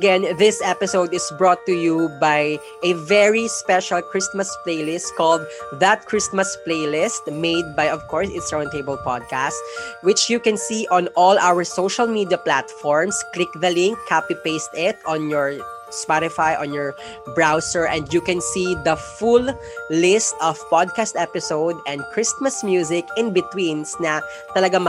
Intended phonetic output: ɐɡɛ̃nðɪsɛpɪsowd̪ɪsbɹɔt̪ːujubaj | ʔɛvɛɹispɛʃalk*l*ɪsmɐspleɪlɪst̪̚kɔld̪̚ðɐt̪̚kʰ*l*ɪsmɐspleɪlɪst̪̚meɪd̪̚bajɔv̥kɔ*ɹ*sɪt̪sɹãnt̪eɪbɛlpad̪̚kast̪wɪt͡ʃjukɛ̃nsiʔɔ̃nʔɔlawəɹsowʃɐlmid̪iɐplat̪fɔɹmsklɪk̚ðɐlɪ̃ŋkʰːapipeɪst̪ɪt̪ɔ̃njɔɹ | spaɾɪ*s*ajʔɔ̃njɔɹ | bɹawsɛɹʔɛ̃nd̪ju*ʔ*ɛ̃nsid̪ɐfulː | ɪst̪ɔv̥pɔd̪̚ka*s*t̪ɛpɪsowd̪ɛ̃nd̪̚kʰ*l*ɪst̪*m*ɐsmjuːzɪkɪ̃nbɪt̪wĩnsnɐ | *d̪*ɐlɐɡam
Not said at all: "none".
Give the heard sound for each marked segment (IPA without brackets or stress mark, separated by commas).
ɹ, ɹ, ɹ, f, k, s, ɹ, m, t̪